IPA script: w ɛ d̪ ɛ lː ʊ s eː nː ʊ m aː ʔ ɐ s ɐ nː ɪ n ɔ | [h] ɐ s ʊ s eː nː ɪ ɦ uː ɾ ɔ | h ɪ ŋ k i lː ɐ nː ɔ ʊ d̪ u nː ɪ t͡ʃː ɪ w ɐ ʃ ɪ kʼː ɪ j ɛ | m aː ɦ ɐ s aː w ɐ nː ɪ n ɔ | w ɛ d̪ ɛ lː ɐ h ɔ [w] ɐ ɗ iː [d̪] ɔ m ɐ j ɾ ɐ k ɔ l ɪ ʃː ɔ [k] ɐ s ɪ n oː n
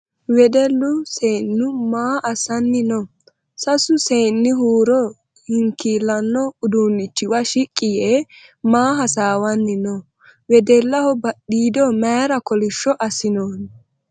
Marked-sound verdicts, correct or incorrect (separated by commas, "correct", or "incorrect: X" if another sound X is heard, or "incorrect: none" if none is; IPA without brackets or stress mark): incorrect: s, incorrect: b, correct, incorrect: ʔ